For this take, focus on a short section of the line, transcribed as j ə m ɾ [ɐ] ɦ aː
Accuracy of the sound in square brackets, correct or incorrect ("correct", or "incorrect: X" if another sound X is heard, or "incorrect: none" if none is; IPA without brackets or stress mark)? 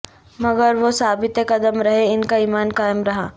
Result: correct